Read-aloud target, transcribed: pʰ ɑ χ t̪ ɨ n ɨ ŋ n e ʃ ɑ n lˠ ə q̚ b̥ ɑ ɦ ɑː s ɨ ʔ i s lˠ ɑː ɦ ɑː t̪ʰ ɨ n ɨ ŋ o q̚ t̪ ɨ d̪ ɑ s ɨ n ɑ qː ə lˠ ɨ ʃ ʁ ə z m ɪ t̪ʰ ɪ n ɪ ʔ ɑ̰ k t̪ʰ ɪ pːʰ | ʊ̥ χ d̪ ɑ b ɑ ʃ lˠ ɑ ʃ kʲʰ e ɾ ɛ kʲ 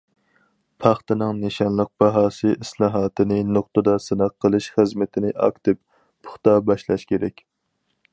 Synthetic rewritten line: pʰ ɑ χ t̪ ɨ n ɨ ŋ n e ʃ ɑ n lˠ ə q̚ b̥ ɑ ɦ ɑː s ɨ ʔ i s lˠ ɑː ɦ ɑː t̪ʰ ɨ n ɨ n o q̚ t̪ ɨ d̪ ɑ s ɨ n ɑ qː ə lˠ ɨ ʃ χ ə z m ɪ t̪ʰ ɪ n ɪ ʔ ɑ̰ k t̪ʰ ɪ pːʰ | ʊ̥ χ t̪ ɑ b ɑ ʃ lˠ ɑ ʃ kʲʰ e ɾ ɛ kʲ